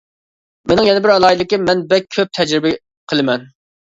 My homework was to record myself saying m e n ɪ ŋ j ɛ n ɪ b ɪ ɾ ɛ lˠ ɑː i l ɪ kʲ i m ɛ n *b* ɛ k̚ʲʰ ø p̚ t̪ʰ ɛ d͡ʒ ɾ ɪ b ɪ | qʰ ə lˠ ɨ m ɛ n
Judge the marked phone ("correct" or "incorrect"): correct